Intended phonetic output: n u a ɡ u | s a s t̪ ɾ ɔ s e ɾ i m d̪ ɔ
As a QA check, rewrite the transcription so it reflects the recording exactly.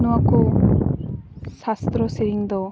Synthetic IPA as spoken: n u a k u | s a s t̪ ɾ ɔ s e ɾ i ŋ d̪ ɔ